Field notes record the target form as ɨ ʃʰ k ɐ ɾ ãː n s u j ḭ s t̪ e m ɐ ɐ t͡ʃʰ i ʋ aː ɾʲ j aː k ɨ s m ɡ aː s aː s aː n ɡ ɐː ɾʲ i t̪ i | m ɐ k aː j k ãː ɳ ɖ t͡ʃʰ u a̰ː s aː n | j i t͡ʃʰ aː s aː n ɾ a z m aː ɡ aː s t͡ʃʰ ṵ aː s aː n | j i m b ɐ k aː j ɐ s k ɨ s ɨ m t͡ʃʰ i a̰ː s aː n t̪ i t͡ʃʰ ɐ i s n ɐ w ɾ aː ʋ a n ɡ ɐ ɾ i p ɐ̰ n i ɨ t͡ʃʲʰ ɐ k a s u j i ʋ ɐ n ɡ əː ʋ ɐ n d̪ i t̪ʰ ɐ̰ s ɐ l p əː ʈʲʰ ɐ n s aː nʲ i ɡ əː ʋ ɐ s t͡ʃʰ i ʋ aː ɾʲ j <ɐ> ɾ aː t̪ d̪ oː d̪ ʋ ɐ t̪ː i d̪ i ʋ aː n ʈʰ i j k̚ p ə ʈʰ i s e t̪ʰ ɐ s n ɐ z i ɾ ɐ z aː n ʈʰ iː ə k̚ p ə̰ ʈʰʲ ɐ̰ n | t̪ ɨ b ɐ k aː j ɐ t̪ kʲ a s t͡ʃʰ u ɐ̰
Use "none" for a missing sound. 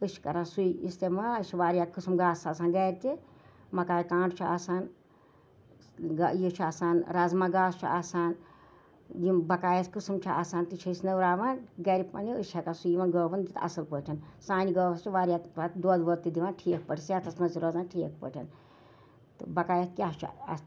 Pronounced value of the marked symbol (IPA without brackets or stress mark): a